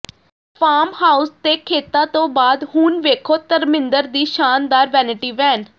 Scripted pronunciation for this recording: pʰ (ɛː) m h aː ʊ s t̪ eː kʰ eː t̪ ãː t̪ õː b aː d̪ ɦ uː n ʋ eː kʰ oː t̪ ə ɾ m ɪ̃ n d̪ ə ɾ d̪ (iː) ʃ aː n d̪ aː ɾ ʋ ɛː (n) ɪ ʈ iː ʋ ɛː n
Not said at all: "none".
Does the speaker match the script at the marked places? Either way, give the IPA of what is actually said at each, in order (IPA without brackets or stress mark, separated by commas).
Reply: aː, iː, n